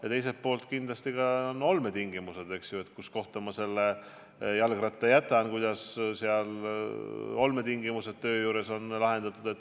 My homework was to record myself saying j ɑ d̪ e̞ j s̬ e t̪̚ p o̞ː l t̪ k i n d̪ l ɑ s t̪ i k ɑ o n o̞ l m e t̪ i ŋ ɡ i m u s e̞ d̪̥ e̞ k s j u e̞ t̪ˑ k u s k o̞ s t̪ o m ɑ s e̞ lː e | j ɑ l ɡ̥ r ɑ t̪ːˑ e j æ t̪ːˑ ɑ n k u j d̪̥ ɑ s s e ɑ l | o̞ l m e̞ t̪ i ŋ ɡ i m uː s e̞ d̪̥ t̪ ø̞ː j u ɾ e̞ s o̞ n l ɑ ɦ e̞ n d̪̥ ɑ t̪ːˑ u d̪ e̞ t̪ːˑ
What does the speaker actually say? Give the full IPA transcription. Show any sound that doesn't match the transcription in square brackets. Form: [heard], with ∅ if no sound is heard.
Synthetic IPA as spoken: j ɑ [t̪] e̞ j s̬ e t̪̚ p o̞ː l t̪ k i n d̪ l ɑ s t̪ i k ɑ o n o̞ l m e t̪ i ŋ ɡ i m u s e̞ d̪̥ e̞ k s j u e̞ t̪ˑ k u s k o̞ [h] t̪ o m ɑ s e̞ lː e | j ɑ l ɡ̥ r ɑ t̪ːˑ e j æ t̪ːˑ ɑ n k u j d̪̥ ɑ s s e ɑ l | o̞ l m e̞ t̪ i ŋ ɡ i m [u] s e̞ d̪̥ t̪ ø̞ː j [uː] ɾ e̞ s o̞ n l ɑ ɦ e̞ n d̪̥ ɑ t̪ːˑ u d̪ e̞ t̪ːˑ